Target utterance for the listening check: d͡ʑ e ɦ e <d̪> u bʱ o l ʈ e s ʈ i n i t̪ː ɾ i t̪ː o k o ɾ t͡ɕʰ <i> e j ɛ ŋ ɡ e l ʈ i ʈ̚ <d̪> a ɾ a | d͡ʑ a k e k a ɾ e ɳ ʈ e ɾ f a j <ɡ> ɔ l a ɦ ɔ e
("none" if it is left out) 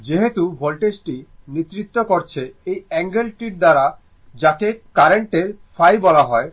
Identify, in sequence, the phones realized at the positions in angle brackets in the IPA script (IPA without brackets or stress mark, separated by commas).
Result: t̪, e, d̪, b